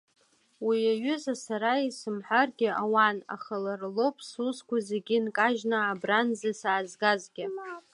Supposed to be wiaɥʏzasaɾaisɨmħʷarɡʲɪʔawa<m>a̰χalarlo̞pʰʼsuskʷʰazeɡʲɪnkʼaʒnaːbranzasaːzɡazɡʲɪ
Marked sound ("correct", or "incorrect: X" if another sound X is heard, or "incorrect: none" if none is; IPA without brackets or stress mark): incorrect: n